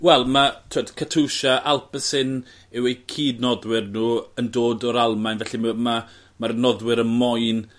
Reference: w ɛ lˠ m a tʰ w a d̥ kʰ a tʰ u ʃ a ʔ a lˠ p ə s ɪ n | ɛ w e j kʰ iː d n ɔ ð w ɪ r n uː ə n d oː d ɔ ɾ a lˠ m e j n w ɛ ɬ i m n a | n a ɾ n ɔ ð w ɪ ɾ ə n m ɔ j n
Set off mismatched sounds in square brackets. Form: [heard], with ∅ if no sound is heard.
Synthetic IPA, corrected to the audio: w ɛ lˠ m a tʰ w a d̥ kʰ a tʰ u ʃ a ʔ a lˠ p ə s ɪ n | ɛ w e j kʰ iː d n ɔ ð w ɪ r n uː ə n d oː d ɔ ɾ a lˠ m [a] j n [v] ɛ ɬ i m [m] a | [m] a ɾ n ɔ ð w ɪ ɾ ə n m ɔ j n